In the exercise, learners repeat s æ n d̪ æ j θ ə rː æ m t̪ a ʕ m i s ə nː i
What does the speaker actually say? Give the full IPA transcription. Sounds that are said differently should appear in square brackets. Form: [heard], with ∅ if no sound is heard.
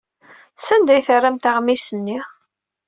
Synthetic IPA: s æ n d̪ æ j θ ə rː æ m t̪ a [ʁ] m i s ə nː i